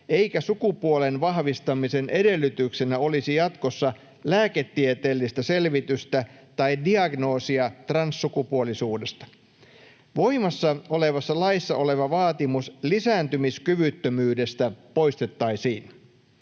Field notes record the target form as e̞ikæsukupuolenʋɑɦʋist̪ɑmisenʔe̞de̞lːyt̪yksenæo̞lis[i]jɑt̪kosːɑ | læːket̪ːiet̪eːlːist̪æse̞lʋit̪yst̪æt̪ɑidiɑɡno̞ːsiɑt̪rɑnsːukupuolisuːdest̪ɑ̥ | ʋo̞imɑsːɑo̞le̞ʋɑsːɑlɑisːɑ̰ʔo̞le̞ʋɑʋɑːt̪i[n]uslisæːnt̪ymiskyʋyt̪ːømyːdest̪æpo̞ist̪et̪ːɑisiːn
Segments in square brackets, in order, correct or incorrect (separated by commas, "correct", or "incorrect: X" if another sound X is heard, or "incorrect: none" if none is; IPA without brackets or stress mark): correct, incorrect: m